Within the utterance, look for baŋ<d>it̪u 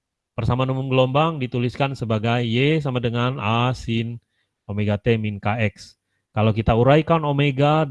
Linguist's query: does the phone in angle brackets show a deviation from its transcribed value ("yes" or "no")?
no